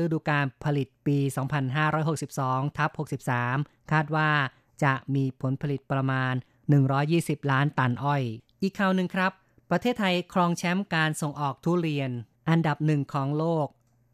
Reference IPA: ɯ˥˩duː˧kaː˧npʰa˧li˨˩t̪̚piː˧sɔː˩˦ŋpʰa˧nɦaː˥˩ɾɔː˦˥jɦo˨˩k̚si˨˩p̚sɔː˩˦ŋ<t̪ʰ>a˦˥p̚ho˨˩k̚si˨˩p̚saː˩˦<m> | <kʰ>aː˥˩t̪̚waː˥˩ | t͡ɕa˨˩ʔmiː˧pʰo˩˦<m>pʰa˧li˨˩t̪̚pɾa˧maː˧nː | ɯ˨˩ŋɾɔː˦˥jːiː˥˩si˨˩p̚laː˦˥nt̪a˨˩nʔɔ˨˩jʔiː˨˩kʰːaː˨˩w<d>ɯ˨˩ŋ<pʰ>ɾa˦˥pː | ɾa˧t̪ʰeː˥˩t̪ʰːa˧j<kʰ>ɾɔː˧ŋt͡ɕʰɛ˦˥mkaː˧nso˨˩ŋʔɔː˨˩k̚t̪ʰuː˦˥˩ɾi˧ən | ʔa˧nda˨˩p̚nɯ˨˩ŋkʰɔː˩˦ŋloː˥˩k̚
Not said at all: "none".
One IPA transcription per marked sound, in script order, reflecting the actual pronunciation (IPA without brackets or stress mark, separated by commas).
t̪ʰ, m, kʰ, n, n, kʰ, kʰ